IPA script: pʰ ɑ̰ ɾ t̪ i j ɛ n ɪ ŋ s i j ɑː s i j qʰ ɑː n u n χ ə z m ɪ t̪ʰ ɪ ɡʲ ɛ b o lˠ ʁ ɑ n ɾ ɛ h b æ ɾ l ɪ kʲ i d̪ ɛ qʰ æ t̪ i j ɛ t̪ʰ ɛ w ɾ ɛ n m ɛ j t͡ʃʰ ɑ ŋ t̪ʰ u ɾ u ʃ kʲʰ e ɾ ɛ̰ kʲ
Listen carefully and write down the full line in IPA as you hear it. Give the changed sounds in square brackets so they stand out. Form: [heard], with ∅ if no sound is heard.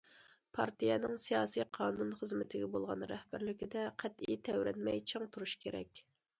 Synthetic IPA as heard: pʰ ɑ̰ ɾ t̪ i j ɛ n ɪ ŋ s i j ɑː s i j qʰ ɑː n u n χ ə z m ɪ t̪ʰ ɪ ɡʲ ɛ b o lˠ ʁ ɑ n ɾ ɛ h b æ ɾ l ɪ kʲ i d̪ ɛ qʰ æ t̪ i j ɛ t̪ʰ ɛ w ɾ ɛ n m ɛ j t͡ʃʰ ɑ ŋ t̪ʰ u ɾ u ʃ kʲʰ e ɾ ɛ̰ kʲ